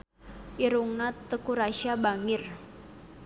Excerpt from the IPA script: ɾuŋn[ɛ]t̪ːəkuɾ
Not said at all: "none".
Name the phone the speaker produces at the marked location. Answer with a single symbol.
a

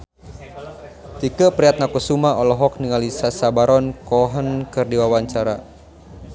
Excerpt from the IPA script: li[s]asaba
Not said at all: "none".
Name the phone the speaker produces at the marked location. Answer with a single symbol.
s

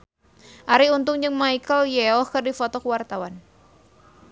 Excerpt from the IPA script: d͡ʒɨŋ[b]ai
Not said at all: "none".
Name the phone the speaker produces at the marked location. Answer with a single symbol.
m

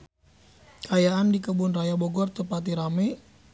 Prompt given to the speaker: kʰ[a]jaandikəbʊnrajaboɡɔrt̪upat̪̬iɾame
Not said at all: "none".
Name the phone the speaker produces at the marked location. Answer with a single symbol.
a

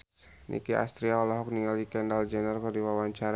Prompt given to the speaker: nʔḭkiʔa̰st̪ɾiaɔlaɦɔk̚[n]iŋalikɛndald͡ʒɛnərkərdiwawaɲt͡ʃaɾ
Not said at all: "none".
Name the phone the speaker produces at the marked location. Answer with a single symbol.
n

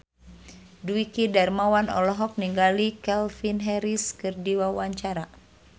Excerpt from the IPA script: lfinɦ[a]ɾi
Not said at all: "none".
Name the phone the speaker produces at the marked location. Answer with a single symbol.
ɛ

